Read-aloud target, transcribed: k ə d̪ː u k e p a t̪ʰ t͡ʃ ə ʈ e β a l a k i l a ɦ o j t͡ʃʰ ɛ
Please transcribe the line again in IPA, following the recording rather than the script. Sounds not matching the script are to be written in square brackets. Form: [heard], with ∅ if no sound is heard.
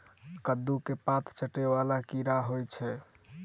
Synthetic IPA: k ə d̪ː u k e p a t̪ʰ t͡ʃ ə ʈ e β a l a k i [ɾ] a ɦ o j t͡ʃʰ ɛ